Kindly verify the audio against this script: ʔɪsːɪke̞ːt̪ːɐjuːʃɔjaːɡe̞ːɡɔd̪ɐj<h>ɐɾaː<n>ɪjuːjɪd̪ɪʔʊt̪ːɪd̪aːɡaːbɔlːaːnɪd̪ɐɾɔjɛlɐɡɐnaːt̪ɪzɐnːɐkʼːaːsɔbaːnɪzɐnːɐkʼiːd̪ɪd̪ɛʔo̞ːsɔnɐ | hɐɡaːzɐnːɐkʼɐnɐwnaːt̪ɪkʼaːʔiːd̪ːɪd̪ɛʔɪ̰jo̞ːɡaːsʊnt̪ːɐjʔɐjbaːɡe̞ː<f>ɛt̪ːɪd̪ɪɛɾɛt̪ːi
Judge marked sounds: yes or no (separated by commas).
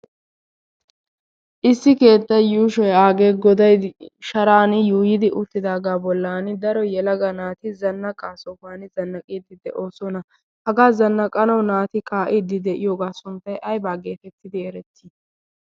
no, yes, yes